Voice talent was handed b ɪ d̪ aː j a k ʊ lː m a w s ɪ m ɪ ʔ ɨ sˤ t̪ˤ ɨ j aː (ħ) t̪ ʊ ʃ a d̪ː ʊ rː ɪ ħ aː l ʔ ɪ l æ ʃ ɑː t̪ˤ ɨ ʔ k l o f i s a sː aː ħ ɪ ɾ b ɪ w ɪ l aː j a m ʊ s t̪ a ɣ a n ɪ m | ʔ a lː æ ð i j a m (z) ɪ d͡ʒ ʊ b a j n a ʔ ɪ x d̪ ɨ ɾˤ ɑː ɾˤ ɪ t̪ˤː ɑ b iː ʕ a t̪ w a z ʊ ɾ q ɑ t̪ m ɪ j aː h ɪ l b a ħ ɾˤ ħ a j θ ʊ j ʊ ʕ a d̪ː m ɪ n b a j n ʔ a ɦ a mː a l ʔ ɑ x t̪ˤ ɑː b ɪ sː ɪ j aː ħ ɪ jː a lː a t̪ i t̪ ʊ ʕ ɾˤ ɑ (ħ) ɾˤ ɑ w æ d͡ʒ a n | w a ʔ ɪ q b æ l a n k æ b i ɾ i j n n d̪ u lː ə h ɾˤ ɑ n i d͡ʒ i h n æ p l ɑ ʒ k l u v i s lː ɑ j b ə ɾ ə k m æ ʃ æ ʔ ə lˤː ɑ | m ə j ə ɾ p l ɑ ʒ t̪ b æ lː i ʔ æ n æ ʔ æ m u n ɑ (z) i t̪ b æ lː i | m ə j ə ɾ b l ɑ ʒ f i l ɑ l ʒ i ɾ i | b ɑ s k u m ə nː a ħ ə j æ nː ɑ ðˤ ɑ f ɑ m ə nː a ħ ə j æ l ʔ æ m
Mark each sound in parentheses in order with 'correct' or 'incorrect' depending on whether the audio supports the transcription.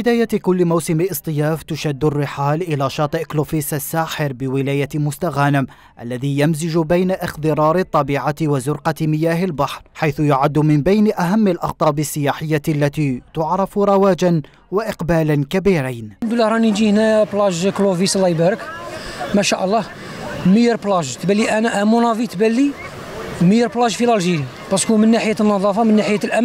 incorrect: f, correct, incorrect: f, incorrect: v

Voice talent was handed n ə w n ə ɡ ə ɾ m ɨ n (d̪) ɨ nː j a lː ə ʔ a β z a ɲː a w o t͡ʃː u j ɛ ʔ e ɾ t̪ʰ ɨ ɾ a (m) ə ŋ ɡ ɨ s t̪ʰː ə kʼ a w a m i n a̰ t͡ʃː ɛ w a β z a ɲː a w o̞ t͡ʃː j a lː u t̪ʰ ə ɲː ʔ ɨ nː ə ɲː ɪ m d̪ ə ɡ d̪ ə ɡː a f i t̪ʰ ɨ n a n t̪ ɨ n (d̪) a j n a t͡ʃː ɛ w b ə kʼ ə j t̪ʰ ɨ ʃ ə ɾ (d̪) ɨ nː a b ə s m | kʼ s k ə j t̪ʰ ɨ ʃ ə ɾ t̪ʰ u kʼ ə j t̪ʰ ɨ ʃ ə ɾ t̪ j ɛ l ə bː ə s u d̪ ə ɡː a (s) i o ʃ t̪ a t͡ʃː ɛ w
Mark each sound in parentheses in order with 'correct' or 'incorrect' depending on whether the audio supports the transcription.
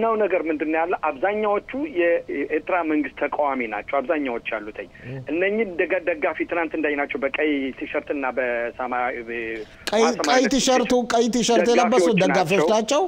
correct, correct, correct, incorrect: t̪, incorrect: f

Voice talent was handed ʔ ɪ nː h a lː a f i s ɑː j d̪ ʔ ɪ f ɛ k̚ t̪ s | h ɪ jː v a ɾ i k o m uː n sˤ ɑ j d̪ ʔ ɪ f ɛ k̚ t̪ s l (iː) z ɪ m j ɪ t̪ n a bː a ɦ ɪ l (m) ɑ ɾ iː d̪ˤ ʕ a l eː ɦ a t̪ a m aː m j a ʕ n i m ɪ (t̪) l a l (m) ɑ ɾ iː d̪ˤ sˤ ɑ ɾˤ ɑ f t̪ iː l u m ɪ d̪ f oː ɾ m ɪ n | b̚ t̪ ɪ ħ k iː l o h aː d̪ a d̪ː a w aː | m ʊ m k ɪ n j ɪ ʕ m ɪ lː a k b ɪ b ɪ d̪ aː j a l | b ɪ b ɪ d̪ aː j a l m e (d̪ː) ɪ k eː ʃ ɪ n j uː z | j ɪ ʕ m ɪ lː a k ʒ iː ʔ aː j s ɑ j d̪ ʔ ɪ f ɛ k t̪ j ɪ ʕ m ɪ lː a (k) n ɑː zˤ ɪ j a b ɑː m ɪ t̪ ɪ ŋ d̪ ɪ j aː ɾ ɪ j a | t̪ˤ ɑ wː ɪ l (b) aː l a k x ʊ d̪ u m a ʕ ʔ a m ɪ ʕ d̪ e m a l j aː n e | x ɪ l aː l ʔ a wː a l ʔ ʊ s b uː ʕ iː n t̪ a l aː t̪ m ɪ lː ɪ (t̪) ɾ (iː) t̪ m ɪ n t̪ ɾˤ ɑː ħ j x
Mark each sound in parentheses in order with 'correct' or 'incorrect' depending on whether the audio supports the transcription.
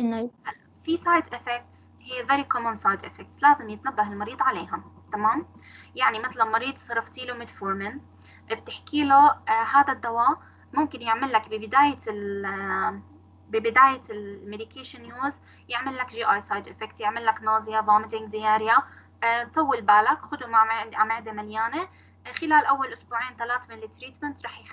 incorrect: aː, correct, correct, correct, incorrect: d̪, correct, correct, correct, correct

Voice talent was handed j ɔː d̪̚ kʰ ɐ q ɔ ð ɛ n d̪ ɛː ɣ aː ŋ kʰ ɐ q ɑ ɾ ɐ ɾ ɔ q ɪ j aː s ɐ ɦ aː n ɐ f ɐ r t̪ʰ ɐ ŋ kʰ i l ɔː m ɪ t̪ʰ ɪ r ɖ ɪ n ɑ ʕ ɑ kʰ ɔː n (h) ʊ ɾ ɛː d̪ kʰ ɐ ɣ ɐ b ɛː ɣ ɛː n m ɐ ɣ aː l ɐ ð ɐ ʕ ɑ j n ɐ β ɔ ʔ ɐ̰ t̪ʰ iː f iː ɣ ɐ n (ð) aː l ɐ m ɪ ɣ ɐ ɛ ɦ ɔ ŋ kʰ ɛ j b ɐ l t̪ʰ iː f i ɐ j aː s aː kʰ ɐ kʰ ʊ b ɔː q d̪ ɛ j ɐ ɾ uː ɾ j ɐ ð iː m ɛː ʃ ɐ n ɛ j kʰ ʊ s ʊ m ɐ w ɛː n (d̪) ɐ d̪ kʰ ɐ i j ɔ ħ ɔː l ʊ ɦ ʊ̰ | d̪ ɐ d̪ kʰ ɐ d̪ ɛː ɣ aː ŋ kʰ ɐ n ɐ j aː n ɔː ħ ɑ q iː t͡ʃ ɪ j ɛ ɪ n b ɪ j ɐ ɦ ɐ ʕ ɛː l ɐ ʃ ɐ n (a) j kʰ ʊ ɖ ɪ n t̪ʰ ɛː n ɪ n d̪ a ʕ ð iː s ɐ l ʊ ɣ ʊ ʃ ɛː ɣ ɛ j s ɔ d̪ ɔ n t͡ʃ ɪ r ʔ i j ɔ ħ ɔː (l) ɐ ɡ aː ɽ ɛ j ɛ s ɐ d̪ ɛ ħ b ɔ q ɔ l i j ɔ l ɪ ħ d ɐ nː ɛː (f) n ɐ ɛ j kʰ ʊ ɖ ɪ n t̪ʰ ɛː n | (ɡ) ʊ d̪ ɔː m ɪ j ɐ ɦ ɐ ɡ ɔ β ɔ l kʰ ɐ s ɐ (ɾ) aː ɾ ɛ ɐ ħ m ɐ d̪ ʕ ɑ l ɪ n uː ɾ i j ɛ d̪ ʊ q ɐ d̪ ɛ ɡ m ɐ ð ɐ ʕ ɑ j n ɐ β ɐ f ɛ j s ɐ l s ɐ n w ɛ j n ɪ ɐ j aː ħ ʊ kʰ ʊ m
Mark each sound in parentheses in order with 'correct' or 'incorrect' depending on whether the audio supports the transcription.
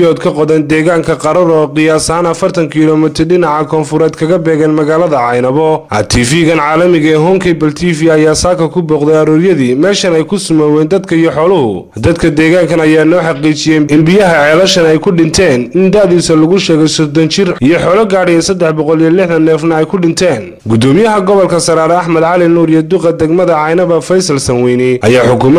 incorrect: f, incorrect: ʕ, correct, incorrect: ɛ, correct, correct, correct, correct

